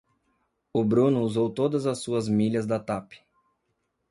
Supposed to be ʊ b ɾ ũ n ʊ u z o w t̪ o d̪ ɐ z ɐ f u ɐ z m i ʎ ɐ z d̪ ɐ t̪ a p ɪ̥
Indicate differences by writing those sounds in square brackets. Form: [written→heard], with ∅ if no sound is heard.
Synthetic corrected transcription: ʊ b ɾ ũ n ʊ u z o w t̪ o d̪ ɐ z ɐ [f→s] u ɐ z m i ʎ ɐ z d̪ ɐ t̪ a p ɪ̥

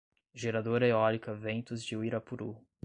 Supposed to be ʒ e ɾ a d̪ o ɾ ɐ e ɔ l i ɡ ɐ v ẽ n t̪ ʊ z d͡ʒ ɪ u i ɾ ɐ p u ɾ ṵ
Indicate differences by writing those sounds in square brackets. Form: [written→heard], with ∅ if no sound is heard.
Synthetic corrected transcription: ʒ e ɾ a d̪ o ɾ ɐ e ɔ l i [ɡ→k] ɐ v ẽ n t̪ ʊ z d͡ʒ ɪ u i ɾ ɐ p u ɾ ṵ

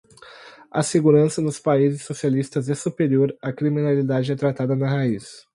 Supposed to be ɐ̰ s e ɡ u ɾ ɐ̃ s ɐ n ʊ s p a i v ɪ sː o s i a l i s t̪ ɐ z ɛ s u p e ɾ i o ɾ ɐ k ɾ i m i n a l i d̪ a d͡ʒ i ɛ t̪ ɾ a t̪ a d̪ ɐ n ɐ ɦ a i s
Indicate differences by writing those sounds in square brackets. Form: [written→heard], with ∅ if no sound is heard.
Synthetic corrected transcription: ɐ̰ s e ɡ u ɾ ɐ̃ s ɐ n ʊ s p a i [v→z] ɪ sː o s i a l i s t̪ ɐ z ɛ s u p e ɾ i o ɾ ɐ k ɾ i m i n a l i d̪ a d͡ʒ [i→ɪ] ɛ t̪ ɾ a t̪ a d̪ ɐ n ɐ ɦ a i s

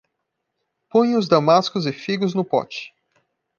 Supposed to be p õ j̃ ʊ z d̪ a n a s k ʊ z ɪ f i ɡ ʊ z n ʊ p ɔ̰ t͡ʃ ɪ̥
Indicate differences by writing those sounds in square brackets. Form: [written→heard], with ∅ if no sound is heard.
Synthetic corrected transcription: p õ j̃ ʊ z d̪ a [n→m] a s k ʊ z ɪ f i ɡ ʊ z n ʊ p ɔ̰ t͡ʃ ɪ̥

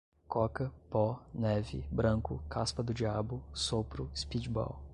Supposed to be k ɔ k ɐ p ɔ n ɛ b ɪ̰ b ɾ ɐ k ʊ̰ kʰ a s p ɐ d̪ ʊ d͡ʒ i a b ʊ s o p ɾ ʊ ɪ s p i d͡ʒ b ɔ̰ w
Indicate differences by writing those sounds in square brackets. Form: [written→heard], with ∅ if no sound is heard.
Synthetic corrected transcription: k ɔ k ɐ p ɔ n ɛ [b→v] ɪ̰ b ɾ [ɐ→ɐ̃] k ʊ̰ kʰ a s p ɐ d̪ ʊ d͡ʒ i a b ʊ s o p ɾ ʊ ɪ s p i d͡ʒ b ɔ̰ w

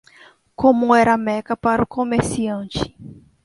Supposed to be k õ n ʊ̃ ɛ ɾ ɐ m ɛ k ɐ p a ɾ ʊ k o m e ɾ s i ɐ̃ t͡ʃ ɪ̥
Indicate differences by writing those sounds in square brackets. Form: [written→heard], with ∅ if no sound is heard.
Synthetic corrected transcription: k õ [n→m] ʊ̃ ɛ ɾ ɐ m ɛ k ɐ p a ɾ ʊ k o m e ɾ s i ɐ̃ t͡ʃ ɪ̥

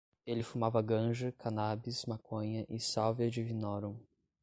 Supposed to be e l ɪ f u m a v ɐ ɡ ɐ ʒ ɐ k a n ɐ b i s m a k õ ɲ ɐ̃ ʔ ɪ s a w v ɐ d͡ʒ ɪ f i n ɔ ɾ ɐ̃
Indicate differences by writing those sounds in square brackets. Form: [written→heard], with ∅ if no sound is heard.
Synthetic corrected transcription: e l ɪ f u m a v ɐ ɡ [ɐ→ɐ̃] ʒ ɐ k a n [ɐ→a] b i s m a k õ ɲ [ɐ̃→ɐ] ʔ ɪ s a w v ɐ d͡ʒ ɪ [f→v] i n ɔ ɾ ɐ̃

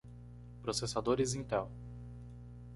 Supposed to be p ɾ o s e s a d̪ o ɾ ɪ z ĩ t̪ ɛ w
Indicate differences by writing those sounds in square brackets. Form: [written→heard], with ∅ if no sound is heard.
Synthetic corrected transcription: p ɾ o s e s a d̪ o ɾ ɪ z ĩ t̪ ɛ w

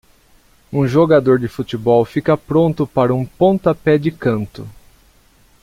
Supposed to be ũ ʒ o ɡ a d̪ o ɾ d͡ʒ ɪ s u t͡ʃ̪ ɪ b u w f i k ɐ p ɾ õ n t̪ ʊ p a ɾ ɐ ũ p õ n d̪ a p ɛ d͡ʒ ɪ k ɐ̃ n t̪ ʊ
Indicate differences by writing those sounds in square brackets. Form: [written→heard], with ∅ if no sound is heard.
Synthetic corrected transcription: ũ ʒ o ɡ a d̪ o ɾ d͡ʒ ɪ [s→f] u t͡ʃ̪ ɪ b [u→ɔ] w f i k ɐ p ɾ õ n t̪ ʊ p a ɾ ɐ ũ p õ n [d̪→t̪] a p ɛ d͡ʒ ɪ k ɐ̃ n t̪ ʊ

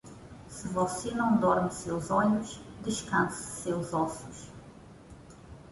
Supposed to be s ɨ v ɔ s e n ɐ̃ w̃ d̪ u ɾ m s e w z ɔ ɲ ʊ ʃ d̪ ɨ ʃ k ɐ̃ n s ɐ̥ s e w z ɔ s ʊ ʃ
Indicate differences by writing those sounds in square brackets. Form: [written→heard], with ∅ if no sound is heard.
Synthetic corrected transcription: s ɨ v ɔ s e n ɐ̃ w̃ d̪ [u→ɔ] ɾ m s e w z ɔ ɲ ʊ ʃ d̪ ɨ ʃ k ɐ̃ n s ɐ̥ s e w z ɔ s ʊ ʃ

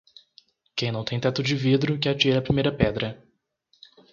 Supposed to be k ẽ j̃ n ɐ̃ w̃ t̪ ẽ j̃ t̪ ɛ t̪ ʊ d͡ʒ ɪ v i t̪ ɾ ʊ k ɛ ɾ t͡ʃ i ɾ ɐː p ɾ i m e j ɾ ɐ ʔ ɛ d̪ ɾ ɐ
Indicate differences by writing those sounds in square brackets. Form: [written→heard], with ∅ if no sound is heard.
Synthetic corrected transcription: k ẽ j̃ n ɐ̃ w̃ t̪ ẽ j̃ t̪ ɛ t̪ ʊ d͡ʒ ɪ v i [t̪→d̪] ɾ ʊ k ɛ ɾ t͡ʃ i ɾ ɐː p ɾ i m e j ɾ ɐ [ʔ→p] ɛ d̪ ɾ ɐ

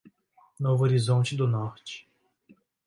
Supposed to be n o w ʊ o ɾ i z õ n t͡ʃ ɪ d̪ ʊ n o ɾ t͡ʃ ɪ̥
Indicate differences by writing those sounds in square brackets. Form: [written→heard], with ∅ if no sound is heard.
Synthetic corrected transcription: n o [w→v] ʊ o ɾ i z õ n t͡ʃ ɪ d̪ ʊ n [o→ɔ] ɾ t͡ʃ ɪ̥

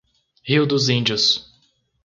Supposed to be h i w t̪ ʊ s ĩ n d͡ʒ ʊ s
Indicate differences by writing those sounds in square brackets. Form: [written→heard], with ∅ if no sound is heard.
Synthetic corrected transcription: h i w [t̪→d̪] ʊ [s→z] ĩ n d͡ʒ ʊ s

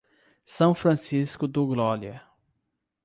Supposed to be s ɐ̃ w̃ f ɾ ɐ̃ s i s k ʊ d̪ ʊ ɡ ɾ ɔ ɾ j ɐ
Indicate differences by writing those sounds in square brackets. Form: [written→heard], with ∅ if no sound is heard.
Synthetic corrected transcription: s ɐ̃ w̃ f ɾ ɐ̃ s i s k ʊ d̪ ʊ ɡ [ɾ→l] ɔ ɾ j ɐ

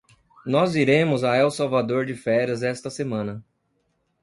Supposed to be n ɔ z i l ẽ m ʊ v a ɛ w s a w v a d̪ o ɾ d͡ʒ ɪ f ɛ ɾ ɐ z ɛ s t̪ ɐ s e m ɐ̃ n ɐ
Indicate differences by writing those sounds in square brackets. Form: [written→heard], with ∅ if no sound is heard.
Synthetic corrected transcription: n ɔ z i [l→ɾ] ẽ m ʊ [v→z] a ɛ w s a w v a d̪ o ɾ d͡ʒ ɪ f ɛ ɾ ɐ z ɛ s t̪ ɐ s e m ɐ̃ n ɐ

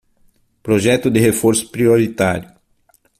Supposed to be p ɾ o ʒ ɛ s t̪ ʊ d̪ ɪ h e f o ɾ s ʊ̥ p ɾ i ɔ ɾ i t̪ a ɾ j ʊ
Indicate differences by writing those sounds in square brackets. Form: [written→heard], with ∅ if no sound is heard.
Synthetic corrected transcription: p ɾ o ʒ ɛ [s→∅] t̪ ʊ d̪ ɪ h e f o ɾ s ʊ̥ p ɾ i [ɔ→o] ɾ i t̪ a ɾ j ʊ

